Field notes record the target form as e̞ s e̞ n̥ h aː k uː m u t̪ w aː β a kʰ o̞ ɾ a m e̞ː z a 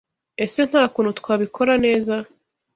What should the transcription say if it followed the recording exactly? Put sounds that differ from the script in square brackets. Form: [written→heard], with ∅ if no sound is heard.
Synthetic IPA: e̞ s e̞ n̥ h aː k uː [m→n] u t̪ w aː β [a→i] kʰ o̞ ɾ a [m→n] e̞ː z a